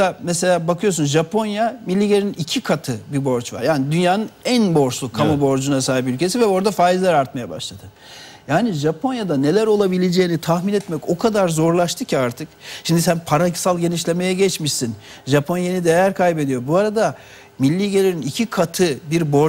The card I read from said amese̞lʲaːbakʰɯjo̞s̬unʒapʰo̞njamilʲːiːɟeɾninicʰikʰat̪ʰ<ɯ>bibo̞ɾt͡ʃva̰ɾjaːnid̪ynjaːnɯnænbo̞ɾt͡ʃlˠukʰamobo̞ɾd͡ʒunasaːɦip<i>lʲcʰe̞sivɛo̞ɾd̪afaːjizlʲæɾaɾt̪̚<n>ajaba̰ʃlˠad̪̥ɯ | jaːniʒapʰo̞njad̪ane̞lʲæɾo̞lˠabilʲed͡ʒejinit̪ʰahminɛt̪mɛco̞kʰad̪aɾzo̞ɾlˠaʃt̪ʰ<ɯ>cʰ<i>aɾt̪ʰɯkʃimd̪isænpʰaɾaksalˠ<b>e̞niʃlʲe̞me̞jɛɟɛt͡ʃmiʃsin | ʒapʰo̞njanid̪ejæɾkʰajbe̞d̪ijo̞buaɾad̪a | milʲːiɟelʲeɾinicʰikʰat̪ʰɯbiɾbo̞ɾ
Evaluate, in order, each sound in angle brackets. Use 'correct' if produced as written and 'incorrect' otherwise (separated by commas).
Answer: correct, incorrect, incorrect, correct, correct, incorrect